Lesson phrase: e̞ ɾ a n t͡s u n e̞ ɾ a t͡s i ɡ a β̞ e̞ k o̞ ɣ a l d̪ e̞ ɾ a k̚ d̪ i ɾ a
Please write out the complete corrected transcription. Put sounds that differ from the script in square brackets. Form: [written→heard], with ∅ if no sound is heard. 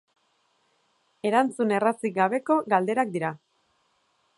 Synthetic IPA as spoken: e̞ ɾ a n t͡s u n e̞ [ɾ→r] a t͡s i ɡ a β̞ e̞ k o̞ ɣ a l d̪ e̞ ɾ a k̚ d̪ i ɾ a